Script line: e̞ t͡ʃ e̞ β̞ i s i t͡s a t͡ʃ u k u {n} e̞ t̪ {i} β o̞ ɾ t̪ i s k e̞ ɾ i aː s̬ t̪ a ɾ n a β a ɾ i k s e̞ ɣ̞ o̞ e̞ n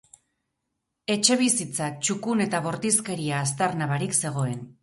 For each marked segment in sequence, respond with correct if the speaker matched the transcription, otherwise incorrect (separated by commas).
correct, incorrect